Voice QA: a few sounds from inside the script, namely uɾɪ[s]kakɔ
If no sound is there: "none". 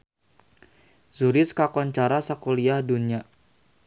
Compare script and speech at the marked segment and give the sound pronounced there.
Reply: s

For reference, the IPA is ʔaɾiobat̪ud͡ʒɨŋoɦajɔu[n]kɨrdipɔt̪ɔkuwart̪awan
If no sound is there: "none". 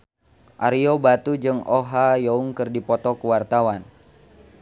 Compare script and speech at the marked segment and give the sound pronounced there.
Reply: ŋ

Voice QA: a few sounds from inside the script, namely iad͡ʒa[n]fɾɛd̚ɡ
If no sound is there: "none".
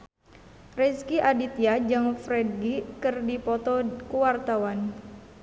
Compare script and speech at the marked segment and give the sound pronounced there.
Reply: ŋ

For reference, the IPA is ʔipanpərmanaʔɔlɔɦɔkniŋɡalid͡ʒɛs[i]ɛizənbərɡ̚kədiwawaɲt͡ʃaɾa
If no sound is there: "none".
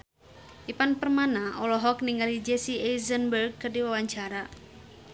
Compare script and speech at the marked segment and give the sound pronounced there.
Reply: i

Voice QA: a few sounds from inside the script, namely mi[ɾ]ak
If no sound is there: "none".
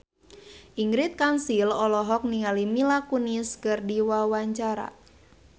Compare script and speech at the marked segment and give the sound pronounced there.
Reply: l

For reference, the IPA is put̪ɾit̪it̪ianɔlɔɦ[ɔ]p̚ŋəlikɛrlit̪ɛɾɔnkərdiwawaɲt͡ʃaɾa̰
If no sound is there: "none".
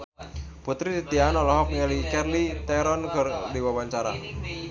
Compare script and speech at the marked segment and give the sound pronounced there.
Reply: ɔ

